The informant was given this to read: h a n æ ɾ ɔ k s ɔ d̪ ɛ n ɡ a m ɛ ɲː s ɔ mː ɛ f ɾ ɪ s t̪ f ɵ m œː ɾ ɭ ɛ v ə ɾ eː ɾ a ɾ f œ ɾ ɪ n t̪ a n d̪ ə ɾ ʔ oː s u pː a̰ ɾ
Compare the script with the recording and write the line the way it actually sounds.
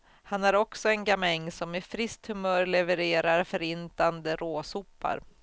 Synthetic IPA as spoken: h a n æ ɾ ɔ k s ɔ ɛ n ɡ a m ɛ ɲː s ɔ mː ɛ f ɾ ɪ s t̪ h ɵ m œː ɾ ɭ ɛ v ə ɾ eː ɾ a ɾ f œ ɾ ɪ n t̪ a n d̪ ə ɾ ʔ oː s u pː a̰ ɾ